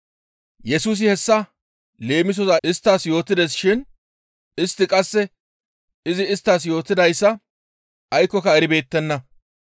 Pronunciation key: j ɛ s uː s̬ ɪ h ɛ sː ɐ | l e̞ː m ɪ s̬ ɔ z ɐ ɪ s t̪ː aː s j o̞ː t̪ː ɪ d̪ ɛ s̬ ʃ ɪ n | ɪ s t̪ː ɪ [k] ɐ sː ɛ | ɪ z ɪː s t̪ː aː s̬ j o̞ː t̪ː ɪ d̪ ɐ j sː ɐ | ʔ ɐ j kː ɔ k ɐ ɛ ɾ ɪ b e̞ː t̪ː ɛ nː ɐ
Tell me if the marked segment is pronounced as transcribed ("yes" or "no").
no